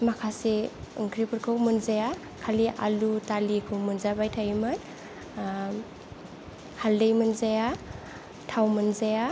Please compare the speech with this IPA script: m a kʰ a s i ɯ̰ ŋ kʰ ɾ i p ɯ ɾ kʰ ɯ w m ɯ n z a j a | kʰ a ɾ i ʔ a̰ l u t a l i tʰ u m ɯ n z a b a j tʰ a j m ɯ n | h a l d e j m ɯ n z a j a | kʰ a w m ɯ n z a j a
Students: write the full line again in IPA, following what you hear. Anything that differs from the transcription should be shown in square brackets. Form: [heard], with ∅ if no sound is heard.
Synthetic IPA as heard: m a kʰ a s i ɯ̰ ŋ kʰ ɾ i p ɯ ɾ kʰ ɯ w m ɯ n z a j a | kʰ a [l] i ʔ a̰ l u t a l i [kʰ] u m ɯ n z a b a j tʰ a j m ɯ n | h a l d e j m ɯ n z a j a | [tʰ] a w m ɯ n z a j a